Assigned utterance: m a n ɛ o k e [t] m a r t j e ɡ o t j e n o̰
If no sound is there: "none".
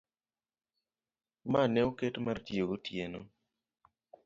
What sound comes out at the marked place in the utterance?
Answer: t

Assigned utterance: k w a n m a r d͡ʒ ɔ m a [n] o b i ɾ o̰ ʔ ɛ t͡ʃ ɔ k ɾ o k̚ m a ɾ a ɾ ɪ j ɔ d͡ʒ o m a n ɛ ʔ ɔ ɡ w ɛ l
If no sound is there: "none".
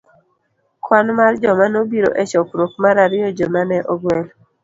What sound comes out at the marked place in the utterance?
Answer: n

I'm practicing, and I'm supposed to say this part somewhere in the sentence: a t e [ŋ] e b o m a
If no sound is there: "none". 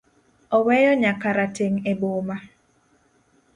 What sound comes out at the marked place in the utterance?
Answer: ŋ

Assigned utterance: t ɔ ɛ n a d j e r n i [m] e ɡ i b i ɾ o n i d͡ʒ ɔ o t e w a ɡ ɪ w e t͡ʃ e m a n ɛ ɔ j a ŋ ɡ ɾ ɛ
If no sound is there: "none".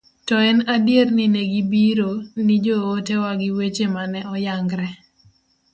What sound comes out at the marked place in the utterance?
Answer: n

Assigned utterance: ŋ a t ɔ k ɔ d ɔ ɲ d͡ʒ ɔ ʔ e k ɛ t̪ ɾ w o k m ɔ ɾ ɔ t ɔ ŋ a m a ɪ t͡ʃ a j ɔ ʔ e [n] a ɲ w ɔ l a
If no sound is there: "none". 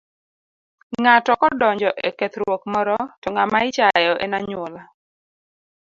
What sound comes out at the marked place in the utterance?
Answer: n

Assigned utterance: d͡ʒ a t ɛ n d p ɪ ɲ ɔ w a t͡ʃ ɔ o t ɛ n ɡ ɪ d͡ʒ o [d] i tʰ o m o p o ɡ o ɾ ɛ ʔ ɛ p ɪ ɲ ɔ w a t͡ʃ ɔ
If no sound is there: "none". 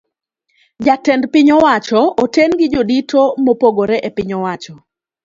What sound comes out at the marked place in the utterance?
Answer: d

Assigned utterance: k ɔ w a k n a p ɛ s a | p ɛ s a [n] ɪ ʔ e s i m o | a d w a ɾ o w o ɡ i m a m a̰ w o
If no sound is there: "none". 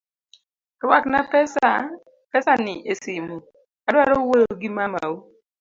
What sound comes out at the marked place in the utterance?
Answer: n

